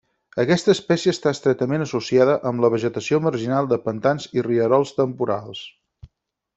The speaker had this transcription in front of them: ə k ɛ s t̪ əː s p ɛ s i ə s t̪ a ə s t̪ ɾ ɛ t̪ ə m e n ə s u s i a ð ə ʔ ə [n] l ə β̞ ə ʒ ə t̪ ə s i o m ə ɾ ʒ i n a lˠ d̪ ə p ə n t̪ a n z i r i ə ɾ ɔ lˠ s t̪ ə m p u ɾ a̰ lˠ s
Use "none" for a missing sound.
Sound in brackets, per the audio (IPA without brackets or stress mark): m